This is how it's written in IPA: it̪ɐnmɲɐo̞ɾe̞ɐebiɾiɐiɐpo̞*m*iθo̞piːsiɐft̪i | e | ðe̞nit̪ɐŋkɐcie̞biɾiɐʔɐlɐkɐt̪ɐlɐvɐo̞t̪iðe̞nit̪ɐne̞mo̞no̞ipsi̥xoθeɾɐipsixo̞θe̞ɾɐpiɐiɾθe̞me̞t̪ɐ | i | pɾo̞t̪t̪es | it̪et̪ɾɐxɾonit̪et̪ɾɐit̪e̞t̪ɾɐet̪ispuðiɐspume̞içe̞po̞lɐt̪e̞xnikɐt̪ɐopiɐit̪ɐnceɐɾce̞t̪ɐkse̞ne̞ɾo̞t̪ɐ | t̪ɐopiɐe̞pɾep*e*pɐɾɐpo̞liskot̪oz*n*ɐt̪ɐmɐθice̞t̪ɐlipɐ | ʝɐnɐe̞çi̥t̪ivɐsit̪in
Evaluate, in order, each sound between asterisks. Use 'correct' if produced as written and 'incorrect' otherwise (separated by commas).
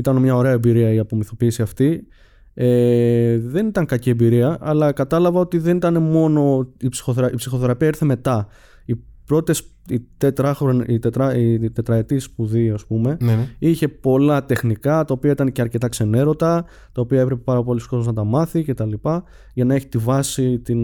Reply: correct, correct, correct